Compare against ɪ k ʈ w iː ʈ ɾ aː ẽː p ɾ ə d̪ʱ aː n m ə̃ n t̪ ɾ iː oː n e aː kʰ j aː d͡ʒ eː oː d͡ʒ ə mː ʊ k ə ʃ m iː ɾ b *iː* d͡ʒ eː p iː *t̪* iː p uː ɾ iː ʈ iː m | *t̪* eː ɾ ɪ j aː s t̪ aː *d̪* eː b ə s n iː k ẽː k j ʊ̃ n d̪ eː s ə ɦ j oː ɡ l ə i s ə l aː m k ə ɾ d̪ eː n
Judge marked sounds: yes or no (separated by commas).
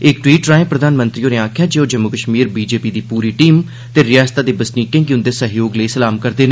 yes, no, yes, yes